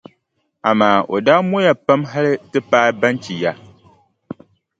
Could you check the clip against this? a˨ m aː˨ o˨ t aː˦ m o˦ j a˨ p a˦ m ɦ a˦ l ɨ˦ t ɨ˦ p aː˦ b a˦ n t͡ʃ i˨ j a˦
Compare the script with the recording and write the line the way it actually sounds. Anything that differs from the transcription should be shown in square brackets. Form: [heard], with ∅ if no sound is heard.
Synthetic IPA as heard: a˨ m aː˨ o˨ [d] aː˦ m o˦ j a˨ p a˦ m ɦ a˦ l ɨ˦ t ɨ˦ p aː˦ b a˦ n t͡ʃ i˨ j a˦